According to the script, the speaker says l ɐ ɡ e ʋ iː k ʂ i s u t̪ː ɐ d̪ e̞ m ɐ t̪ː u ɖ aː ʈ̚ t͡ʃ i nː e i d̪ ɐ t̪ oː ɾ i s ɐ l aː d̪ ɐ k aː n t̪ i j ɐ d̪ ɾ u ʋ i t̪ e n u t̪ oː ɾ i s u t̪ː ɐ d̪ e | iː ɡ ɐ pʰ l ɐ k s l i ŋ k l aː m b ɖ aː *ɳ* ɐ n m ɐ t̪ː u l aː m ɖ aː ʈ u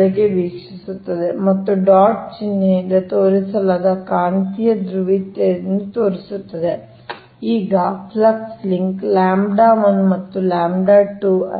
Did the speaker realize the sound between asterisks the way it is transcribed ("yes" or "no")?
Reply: no